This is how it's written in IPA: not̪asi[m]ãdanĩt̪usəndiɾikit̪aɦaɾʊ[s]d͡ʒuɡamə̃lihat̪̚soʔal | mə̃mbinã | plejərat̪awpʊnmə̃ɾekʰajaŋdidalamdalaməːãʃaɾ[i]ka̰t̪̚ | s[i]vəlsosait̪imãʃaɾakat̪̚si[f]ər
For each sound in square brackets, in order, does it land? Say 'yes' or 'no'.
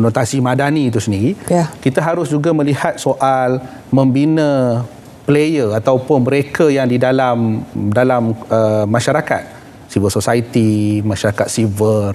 yes, yes, no, yes, no

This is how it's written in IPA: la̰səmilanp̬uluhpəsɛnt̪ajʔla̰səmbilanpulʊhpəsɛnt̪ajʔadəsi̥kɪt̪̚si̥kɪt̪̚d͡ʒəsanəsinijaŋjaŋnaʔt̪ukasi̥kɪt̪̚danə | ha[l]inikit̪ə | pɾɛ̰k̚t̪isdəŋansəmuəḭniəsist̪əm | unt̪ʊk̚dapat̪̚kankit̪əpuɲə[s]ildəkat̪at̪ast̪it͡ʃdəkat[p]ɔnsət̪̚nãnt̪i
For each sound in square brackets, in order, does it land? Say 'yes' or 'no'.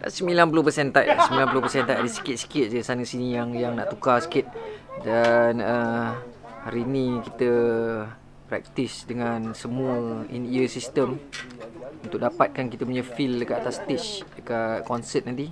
no, no, no

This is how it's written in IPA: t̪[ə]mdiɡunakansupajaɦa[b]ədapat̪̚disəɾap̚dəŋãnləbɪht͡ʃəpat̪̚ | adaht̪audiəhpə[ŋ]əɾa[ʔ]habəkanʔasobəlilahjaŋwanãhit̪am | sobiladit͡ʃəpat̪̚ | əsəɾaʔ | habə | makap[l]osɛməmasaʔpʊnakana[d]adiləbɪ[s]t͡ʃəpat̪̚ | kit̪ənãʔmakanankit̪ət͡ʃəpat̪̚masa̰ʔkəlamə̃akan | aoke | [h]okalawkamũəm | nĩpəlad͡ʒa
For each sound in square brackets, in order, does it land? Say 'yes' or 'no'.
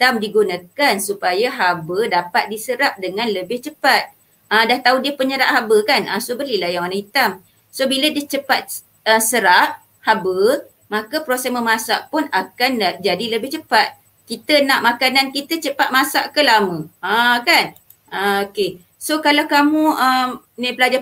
no, yes, no, yes, no, no, no, no

